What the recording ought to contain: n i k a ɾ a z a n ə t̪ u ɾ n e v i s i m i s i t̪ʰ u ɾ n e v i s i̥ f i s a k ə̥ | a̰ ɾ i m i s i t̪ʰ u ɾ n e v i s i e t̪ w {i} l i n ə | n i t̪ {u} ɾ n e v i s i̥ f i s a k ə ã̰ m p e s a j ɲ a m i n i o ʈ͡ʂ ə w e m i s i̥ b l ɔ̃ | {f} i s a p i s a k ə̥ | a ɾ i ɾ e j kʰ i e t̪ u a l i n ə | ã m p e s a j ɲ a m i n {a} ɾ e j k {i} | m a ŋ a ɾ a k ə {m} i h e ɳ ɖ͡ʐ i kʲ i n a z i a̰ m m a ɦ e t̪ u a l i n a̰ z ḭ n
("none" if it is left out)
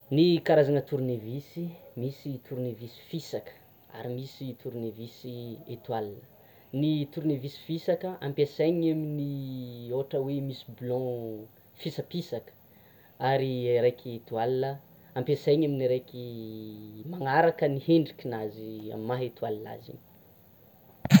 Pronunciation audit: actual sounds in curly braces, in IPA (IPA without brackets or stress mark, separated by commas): a, u, f, i, i, n